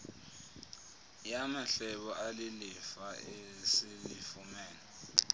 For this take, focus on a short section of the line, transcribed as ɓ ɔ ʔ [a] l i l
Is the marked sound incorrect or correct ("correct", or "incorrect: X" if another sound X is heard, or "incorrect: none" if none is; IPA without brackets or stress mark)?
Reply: correct